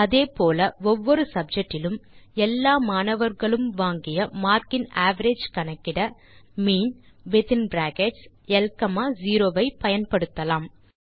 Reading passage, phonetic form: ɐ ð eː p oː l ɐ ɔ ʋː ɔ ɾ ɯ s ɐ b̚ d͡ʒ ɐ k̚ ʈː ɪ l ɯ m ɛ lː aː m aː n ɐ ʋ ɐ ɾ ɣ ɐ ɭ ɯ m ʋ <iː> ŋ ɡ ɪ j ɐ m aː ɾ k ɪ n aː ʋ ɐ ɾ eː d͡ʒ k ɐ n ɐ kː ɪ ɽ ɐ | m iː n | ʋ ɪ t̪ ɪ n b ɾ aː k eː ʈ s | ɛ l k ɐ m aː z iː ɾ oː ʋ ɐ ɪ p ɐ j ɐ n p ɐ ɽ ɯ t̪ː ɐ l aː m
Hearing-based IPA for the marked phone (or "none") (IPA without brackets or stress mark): aː